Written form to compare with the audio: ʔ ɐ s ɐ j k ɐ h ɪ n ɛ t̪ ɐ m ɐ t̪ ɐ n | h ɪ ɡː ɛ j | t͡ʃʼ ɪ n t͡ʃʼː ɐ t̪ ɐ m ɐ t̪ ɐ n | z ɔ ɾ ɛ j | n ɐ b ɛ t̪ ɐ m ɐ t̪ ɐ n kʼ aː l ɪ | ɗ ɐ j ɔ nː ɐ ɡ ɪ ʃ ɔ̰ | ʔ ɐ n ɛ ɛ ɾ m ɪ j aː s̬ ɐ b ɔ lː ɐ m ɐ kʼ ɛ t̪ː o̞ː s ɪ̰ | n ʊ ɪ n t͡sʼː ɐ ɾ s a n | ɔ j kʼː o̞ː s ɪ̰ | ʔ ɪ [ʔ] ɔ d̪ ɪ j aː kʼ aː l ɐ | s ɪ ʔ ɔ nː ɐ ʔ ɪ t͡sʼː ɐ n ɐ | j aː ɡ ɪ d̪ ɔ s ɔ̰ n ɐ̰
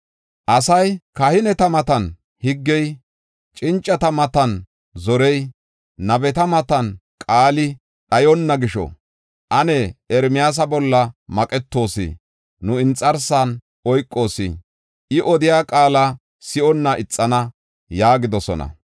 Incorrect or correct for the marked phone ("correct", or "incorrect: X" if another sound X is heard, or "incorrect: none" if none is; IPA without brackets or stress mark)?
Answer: correct